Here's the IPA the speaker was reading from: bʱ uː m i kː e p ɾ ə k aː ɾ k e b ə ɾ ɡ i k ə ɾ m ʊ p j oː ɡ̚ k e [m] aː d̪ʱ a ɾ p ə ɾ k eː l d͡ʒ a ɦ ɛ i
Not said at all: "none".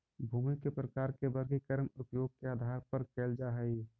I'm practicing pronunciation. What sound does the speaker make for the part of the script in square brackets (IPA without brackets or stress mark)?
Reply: none